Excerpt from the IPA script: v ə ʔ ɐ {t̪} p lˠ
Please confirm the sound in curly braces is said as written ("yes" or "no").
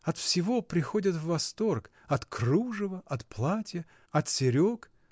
yes